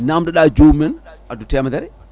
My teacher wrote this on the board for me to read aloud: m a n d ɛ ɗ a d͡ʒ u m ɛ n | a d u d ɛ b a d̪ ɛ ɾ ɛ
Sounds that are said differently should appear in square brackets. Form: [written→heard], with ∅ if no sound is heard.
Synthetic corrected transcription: [m→n] a [n→m] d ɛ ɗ a d͡ʒ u m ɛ n | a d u [d→t] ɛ [b→m] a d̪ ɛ ɾ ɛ